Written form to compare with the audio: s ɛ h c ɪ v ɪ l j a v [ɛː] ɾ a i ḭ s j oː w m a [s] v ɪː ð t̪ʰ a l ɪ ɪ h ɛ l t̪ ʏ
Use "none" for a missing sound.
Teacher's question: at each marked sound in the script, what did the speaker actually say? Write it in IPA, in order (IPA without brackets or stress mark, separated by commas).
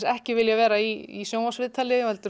ɛː, s